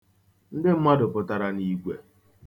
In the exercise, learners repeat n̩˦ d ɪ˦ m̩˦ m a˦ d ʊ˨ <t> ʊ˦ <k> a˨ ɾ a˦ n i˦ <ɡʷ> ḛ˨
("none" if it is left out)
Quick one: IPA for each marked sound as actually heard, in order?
p, t, ɡʷ

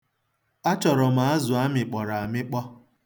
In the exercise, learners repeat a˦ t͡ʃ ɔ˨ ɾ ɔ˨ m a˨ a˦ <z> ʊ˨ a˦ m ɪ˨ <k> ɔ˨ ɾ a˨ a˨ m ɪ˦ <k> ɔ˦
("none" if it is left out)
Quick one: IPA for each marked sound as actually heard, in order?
z, k͡p, k͡p

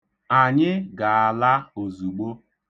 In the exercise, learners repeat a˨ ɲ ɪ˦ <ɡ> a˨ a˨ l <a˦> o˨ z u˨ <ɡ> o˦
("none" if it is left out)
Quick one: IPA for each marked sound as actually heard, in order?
ɡ, a˦, ɡ͡b

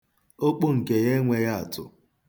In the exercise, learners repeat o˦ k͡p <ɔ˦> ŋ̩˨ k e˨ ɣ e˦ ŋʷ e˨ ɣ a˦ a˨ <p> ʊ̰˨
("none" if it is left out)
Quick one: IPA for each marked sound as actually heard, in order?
o˦, t

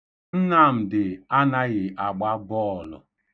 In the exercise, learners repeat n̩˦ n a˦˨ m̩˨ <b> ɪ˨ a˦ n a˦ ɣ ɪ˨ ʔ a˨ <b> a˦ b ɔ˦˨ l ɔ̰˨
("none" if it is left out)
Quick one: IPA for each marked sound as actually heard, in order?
d, ɡ͡b

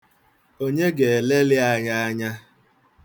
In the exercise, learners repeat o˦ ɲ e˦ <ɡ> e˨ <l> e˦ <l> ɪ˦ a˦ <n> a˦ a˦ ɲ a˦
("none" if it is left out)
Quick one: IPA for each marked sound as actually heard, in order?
ɡ, l, l, ɲ

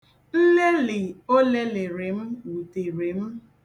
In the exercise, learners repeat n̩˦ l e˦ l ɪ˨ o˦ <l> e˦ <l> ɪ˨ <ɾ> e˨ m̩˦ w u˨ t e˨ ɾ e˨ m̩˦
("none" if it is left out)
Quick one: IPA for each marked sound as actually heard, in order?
l, l, ɾ

